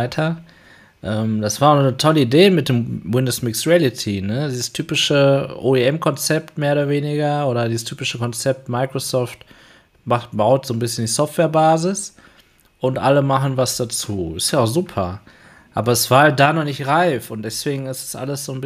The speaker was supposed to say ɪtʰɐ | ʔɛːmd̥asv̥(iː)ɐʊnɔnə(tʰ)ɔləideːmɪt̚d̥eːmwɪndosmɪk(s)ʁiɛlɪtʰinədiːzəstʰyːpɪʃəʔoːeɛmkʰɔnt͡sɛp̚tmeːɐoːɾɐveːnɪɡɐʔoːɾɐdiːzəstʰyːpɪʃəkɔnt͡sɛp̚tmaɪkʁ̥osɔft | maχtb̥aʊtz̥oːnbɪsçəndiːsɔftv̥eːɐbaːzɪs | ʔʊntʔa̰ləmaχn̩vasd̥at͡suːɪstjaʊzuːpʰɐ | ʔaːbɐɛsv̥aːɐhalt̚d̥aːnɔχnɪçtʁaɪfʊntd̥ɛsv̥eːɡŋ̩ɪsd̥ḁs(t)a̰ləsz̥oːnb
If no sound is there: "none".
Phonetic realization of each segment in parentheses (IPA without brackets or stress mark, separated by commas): aː, tʰ, s, ʔ